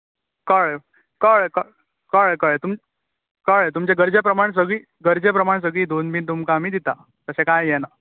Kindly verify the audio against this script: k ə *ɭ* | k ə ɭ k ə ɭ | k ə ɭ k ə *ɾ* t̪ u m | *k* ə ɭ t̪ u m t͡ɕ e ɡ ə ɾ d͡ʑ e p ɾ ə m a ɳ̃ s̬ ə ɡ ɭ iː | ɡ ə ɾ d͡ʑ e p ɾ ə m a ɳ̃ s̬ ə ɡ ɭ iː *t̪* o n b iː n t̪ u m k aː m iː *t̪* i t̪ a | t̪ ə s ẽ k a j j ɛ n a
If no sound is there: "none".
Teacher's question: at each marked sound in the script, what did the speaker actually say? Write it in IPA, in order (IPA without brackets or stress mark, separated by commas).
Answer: ɭ, ɭ, k, d̪, d̪